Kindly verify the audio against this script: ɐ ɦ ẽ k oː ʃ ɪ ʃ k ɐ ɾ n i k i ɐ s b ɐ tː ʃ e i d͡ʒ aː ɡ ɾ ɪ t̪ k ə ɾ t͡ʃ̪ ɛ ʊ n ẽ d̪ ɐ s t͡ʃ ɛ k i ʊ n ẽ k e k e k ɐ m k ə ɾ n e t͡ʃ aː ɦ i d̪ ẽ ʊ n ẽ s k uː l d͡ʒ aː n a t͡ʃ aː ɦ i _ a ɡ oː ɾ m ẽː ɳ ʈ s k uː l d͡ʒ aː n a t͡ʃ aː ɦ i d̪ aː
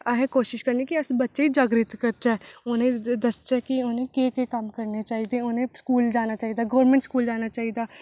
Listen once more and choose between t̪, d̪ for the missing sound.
d̪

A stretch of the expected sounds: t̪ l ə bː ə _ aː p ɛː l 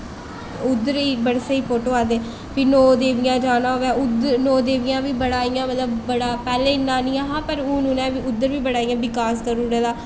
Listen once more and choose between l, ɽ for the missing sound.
ɽ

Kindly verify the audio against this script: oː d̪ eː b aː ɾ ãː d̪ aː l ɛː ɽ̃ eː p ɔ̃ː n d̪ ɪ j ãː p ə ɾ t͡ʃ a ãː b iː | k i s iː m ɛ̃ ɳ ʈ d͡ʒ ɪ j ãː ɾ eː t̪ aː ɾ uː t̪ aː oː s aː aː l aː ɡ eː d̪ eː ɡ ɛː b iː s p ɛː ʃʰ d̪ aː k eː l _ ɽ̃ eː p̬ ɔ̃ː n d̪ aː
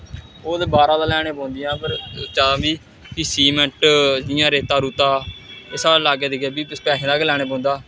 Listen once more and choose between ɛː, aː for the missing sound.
ɛː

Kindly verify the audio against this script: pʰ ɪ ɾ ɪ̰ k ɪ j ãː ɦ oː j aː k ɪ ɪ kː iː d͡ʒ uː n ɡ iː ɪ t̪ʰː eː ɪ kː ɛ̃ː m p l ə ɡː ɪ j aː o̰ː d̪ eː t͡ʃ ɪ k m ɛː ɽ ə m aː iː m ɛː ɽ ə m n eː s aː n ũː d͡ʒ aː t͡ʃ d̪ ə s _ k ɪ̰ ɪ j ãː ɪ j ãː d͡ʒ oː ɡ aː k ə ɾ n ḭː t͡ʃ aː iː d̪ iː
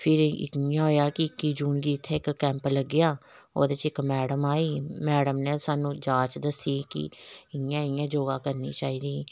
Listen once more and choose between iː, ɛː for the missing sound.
iː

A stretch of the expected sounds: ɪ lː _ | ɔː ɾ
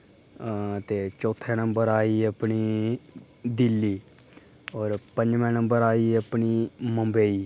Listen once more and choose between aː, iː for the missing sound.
iː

